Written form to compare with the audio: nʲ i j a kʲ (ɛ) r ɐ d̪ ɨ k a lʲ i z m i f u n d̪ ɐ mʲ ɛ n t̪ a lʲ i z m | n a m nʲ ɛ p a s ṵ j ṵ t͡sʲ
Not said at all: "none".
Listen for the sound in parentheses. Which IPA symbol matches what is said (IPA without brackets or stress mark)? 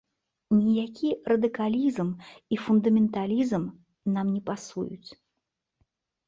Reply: i